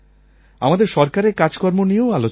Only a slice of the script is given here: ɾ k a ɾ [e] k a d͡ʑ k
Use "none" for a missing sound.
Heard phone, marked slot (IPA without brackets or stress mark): e